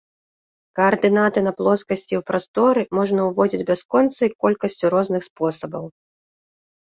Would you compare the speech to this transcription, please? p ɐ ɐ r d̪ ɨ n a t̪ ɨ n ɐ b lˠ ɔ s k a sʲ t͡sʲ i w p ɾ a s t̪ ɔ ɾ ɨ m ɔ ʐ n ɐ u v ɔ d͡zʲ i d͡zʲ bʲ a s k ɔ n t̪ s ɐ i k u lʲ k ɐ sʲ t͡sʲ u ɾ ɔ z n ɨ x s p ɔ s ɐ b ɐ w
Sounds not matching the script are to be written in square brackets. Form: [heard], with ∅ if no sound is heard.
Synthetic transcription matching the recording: [k] ɐ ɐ r d̪ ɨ n a t̪ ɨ n ɐ [p] lˠ ɔ s k [ɐ] sʲ t͡sʲ i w p ɾ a s t̪ ɔ ɾ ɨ m ɔ ʐ n ɐ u v ɔ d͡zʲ i d͡zʲ bʲ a s k ɔ n t̪ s ɐ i k [ɔ] lʲ k ɐ sʲ t͡sʲ u ɾ ɔ z n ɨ x s p ɔ s ɐ b ɐ w